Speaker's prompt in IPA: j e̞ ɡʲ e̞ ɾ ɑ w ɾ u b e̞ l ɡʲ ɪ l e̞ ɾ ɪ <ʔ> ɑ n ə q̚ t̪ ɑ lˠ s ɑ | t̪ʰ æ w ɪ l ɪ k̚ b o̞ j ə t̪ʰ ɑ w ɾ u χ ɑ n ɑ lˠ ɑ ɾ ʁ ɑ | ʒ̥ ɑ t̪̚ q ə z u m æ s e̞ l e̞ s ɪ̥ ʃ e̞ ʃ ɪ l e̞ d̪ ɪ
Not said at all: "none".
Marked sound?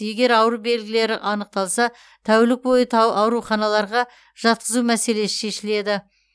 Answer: ʔ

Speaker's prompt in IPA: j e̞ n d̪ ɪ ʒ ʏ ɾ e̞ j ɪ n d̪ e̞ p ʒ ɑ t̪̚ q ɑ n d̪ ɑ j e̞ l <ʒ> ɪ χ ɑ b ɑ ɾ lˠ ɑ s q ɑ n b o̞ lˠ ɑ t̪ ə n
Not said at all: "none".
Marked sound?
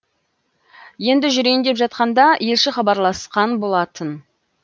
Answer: ʃ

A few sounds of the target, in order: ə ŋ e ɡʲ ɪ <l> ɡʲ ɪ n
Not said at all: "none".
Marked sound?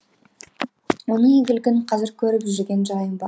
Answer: l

